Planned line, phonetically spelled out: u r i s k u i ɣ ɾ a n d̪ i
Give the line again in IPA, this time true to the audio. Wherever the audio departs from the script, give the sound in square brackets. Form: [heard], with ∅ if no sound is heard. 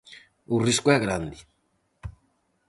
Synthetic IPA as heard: u r i s k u [ɛ] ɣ ɾ a n d̪ i